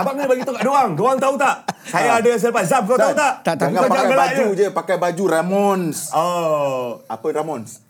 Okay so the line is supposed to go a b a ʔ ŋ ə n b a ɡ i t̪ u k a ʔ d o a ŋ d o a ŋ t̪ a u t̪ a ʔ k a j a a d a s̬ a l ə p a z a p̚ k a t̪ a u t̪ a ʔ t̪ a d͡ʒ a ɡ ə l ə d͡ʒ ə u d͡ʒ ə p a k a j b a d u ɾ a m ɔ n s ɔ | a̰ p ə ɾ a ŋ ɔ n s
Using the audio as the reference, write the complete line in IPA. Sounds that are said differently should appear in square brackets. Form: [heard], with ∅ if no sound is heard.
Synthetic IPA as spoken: a b a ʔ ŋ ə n b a ɡ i t̪ u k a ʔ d o a ŋ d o a ŋ t̪ a u t̪ a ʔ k a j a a d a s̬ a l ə p a z a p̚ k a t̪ a u t̪ a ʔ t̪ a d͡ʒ a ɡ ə l [a] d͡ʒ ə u d͡ʒ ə p a k a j b a [d͡ʒ] u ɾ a m ɔ n s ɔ | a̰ p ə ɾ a [m] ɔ n s